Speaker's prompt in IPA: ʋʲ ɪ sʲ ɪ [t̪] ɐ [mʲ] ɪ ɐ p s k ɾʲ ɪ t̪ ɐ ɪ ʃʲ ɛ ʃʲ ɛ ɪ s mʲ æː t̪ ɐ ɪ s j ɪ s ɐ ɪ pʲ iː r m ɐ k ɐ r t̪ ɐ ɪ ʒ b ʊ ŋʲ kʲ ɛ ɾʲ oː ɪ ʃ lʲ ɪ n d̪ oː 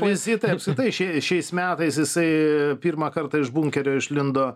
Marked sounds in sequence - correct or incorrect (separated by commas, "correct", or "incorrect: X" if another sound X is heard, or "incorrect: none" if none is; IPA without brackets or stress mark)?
correct, incorrect: none